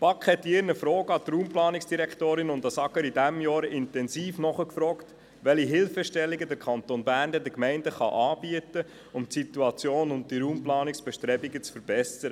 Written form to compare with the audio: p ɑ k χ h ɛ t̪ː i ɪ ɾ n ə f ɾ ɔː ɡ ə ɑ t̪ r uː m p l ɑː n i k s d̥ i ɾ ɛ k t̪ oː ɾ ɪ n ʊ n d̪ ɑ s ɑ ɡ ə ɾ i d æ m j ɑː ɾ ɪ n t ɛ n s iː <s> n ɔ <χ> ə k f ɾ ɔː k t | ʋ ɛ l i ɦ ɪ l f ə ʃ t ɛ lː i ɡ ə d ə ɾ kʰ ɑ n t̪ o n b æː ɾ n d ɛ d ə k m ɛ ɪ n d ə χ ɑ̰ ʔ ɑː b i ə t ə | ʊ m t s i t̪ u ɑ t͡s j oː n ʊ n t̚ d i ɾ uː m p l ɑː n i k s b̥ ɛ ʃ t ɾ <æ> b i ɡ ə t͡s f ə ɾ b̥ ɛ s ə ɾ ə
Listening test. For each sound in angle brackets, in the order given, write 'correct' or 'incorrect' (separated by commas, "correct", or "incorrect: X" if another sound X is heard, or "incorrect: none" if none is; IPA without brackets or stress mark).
incorrect: f, correct, incorrect: ɛ